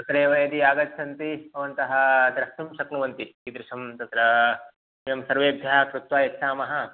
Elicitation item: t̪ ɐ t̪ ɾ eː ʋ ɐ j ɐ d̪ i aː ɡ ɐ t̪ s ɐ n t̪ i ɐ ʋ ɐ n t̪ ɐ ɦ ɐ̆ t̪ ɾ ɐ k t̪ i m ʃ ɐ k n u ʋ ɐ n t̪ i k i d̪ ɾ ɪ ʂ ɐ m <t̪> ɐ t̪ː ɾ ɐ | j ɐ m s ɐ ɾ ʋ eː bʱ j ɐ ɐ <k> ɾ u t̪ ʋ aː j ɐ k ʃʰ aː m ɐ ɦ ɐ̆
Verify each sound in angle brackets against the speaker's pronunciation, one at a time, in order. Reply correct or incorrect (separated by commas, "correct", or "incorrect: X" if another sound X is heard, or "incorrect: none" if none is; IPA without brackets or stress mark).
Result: correct, correct